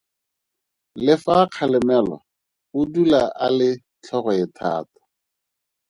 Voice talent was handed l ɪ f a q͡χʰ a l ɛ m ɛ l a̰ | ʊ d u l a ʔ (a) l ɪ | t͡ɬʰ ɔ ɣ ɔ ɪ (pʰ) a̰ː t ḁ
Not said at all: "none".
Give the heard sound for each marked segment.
a, tʰ

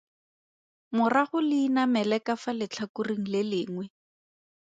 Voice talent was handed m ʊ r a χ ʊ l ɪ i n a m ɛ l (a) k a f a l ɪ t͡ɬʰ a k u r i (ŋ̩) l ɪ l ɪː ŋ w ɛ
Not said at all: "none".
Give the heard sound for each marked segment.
ɛ, ŋ̩

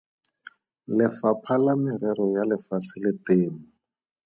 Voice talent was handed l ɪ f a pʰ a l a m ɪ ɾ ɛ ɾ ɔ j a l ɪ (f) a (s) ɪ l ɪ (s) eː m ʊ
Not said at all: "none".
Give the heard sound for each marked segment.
f, s, t

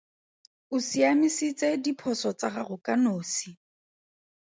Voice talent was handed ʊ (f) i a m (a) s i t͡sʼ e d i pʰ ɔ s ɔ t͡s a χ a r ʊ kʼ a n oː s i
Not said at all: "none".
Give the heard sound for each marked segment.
s, i

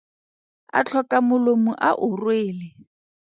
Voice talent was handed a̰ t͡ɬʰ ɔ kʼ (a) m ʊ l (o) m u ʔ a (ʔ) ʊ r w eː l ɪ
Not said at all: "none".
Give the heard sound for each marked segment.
a, o, ʔ

